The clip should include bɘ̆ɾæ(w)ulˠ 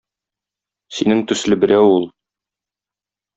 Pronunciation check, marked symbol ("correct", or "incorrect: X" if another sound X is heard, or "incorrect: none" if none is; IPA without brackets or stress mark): correct